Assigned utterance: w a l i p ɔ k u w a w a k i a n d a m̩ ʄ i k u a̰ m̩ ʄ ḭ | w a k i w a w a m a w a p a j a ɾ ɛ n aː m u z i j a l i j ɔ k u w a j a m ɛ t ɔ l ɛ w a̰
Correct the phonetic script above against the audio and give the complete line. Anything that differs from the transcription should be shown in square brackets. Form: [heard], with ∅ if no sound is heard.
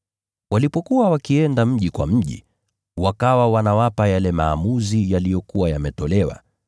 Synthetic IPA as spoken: w a l i p ɔ k u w a w a k i [ɛ] n d a m̩ ʄ i k [w] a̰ m̩ ʄ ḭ | w a k [a] w a w a [n] a w a p a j a [l] ɛ [m] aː m u z i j a l i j ɔ k u w a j a m ɛ t ɔ l ɛ w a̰